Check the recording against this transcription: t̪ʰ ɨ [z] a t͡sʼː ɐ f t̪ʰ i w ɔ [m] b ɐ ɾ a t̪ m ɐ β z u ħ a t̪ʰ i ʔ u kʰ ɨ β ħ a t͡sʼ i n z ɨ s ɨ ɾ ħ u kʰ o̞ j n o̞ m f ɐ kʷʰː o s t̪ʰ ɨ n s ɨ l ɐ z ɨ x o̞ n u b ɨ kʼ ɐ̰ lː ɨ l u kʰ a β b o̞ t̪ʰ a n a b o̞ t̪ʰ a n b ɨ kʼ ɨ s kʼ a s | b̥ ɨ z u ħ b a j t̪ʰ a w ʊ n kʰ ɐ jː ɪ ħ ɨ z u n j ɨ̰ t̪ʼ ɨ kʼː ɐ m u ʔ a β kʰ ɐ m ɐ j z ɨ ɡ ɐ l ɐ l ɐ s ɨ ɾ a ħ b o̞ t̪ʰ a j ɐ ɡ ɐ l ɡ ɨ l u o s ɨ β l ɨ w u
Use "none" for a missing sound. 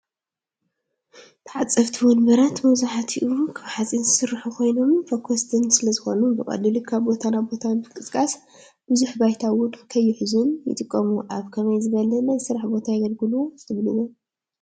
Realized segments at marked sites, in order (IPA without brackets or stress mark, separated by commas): ʕ, n